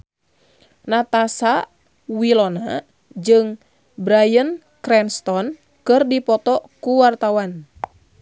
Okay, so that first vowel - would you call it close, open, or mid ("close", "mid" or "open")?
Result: open